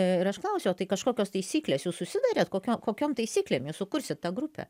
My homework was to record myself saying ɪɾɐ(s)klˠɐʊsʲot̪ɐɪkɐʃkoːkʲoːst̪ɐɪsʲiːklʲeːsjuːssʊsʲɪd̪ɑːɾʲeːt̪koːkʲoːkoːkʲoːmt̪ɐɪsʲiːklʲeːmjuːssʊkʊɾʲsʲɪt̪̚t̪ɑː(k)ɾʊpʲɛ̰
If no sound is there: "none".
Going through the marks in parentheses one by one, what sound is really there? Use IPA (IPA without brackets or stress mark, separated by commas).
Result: ʃ, ɡ